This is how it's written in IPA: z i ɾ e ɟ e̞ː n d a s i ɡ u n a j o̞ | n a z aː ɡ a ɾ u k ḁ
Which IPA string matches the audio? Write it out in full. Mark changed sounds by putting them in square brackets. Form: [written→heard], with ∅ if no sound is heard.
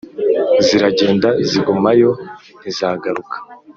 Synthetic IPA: z i ɾ [e→a] ɟ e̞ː n d a [s→z] i ɡ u [n→m] a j o̞ | n [a→i] z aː ɡ a ɾ u k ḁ